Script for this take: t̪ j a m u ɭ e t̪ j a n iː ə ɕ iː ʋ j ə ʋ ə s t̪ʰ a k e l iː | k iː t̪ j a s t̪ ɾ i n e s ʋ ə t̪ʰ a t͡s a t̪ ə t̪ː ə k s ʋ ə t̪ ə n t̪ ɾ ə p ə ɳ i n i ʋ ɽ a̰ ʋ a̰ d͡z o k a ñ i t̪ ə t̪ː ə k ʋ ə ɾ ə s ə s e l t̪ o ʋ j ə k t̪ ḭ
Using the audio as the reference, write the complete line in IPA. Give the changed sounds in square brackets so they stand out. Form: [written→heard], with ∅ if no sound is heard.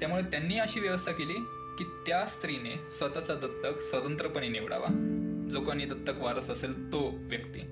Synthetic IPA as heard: t̪ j a m u ɭ e t̪ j a [n→nː] iː ə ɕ iː ʋ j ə ʋ ə s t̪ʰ a k e l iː | k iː t̪ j a s t̪ ɾ i n e s ʋ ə [t̪ʰ→t̪] a t͡s a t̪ ə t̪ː ə k s ʋ ə t̪ ə n t̪ ɾ ə p ə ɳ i n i ʋ ɽ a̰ ʋ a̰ d͡z o k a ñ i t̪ ə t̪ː ə k ʋ [ə→a] ɾ ə s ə s e l t̪ o ʋ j ə k t̪ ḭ